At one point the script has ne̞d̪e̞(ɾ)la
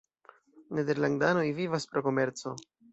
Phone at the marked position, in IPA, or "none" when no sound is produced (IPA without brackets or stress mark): ɾ